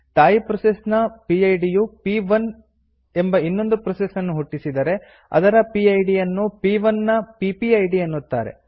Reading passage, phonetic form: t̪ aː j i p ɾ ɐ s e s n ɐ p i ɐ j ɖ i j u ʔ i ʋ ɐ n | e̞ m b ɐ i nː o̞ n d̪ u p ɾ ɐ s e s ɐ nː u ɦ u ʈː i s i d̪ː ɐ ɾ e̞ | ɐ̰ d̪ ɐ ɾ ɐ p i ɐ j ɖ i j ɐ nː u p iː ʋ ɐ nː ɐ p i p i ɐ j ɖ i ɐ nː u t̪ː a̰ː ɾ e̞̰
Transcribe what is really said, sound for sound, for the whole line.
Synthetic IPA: t̪ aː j i p ɾ ɐ s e s n ɐ p i ɐ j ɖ i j u p i ʋ ɐ n | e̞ m b ɐ i nː o̞ n d̪ u p ɾ ɐ s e s ɐ nː u ɦ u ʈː i s i d̪ ɐ ɾ e̞ | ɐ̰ d̪ ɐ ɾ ɐ p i ɐ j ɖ i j ɐ nː u p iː ʋ ɐ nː ɐ p i p i ɐ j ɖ i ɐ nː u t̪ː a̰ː ɾ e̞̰